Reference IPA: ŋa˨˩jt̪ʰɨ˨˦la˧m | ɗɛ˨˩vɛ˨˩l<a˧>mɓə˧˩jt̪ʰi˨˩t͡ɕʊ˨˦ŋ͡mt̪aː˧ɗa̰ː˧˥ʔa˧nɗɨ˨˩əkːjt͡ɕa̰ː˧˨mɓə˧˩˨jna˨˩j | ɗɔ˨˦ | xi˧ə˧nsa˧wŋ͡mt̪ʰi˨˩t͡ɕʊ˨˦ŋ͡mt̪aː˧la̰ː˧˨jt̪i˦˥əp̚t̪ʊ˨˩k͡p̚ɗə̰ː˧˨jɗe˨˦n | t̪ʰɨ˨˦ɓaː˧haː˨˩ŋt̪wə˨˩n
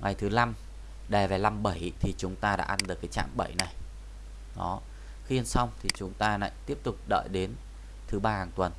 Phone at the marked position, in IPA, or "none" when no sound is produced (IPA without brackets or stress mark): a˧